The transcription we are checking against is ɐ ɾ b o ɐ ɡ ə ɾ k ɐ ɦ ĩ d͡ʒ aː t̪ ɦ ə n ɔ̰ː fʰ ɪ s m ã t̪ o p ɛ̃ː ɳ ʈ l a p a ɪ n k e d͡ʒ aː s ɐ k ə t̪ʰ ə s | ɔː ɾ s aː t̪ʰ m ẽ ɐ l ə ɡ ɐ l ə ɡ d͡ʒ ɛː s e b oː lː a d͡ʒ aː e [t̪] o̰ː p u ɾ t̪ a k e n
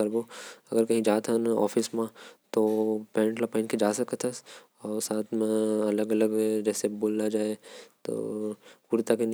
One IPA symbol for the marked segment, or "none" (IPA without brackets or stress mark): t̪